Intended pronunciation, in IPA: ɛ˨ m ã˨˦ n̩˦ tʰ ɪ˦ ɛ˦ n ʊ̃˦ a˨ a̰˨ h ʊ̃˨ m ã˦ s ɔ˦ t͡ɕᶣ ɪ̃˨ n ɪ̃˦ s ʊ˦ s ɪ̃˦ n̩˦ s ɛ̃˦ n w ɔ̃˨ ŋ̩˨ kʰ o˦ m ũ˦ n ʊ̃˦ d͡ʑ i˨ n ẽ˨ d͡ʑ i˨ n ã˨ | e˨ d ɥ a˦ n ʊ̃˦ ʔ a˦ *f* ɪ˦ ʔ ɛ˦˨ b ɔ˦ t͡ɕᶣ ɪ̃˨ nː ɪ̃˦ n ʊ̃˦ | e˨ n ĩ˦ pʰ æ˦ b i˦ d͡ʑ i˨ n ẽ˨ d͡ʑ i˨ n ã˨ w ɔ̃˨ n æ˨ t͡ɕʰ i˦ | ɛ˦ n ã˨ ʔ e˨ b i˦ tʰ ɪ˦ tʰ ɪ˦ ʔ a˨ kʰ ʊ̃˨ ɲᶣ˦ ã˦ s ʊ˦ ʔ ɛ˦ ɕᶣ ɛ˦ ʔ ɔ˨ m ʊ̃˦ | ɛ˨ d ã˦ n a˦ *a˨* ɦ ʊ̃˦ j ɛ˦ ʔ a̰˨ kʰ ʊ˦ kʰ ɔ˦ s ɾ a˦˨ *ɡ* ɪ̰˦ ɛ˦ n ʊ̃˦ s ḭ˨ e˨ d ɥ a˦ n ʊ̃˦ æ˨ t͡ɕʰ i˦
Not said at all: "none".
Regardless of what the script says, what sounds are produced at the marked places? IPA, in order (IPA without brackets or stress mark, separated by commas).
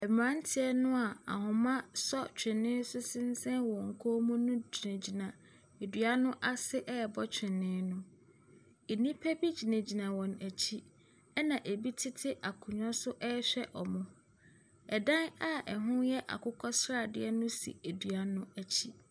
s, ɛ˨, d